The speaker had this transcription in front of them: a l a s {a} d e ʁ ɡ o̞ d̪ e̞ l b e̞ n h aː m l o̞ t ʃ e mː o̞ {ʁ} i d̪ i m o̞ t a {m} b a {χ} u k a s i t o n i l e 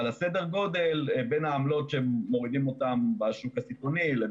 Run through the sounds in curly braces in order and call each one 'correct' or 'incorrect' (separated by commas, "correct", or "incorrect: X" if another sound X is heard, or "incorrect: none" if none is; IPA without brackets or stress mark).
incorrect: e, correct, correct, incorrect: ʃ